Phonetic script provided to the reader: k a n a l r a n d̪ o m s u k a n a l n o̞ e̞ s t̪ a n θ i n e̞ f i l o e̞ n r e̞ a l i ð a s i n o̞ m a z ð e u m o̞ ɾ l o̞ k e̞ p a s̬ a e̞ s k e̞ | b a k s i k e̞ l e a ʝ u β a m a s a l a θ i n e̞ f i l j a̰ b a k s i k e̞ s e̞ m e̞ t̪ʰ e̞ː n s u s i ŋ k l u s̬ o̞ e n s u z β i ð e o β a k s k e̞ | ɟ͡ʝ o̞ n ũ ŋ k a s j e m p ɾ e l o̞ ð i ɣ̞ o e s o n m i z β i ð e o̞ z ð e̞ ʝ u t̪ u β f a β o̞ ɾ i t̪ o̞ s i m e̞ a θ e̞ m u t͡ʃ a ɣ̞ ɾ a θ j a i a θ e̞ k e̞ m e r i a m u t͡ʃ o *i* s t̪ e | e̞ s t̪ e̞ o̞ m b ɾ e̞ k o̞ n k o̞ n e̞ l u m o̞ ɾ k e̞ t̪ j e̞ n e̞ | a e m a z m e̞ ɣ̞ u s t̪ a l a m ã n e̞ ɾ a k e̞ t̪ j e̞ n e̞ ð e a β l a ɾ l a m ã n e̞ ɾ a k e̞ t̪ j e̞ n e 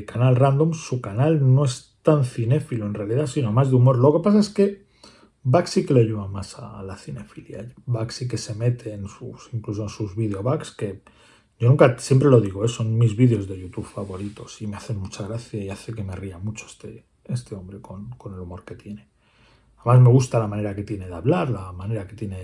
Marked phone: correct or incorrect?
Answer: incorrect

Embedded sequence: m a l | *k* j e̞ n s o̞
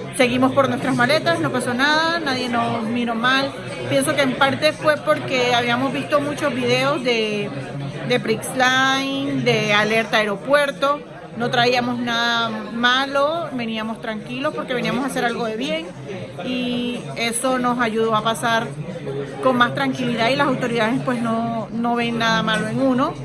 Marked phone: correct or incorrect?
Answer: incorrect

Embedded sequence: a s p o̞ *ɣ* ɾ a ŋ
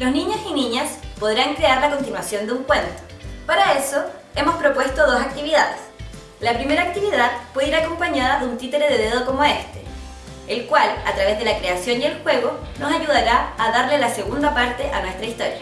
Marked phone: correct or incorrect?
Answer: incorrect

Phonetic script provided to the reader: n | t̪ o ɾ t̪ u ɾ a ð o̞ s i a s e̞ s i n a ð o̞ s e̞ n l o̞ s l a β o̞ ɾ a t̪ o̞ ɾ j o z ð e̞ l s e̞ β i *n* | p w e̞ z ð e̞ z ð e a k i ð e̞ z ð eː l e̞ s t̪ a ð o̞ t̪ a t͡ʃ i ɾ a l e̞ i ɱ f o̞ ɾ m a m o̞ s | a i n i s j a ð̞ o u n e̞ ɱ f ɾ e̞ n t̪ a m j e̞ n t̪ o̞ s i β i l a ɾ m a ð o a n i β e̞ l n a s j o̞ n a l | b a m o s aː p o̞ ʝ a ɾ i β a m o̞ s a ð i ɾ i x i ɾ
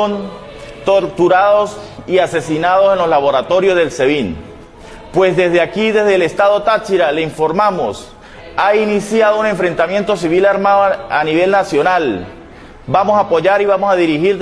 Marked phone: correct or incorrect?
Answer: correct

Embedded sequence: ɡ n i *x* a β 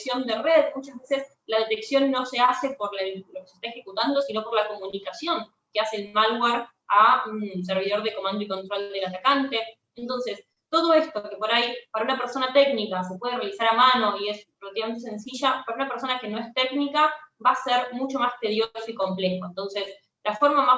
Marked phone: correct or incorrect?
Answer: incorrect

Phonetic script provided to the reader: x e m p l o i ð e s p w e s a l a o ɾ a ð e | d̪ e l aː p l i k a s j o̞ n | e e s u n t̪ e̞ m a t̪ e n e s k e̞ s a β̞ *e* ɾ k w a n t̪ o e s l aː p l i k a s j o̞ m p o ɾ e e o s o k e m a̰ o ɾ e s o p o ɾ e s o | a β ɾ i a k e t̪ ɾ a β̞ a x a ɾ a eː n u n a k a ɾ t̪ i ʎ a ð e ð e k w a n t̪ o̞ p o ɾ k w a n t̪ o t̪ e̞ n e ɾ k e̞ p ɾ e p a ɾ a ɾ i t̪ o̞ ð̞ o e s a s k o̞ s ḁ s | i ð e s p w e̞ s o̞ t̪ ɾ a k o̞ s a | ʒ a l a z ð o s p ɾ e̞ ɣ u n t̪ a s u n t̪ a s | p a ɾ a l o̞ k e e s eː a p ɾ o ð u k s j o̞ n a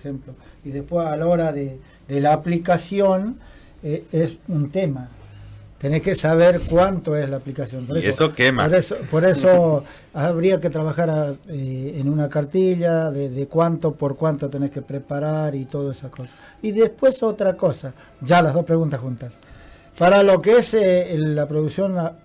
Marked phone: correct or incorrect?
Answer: correct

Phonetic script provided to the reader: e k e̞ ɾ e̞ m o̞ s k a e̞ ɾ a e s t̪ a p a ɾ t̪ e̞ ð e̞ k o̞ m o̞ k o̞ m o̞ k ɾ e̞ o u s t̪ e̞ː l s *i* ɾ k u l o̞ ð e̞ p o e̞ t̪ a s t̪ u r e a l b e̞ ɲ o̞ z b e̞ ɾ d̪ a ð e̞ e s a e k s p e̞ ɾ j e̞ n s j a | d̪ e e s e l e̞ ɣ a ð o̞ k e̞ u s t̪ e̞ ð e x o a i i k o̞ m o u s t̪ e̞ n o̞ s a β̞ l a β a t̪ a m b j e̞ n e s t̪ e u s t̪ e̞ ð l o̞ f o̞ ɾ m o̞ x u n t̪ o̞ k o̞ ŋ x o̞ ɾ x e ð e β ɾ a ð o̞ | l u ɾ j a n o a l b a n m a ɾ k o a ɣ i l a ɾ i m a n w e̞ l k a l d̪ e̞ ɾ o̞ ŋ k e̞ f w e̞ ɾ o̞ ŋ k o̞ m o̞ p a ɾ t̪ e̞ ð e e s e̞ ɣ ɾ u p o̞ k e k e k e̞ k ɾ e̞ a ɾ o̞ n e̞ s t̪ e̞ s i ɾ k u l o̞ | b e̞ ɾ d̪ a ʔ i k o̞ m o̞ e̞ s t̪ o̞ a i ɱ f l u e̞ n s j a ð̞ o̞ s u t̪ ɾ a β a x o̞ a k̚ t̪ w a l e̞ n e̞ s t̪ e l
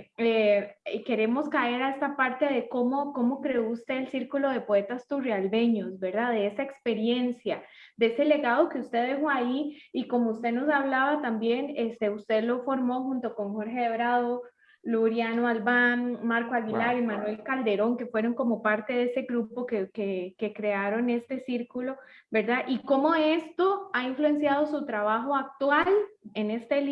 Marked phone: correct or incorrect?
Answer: correct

